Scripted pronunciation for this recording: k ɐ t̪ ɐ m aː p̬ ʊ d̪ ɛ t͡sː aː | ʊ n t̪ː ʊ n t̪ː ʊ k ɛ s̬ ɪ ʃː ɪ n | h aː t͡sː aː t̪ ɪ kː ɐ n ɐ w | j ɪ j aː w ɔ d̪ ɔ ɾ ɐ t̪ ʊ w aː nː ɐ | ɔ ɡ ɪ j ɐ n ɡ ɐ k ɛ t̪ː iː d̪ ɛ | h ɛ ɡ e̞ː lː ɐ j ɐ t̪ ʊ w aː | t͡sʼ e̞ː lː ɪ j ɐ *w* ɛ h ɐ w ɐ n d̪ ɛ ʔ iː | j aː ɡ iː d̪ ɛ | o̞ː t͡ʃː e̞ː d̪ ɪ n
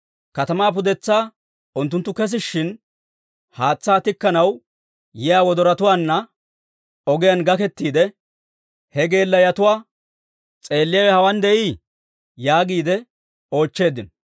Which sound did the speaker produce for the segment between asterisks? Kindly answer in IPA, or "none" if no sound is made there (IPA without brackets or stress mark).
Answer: w